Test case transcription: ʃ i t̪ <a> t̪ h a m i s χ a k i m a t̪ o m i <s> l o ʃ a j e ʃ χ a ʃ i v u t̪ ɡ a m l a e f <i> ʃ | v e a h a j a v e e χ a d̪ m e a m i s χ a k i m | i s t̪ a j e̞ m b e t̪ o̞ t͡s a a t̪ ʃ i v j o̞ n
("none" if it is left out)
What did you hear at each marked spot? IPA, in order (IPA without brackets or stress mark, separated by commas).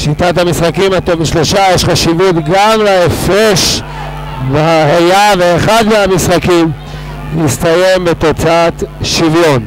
a, ʃ, e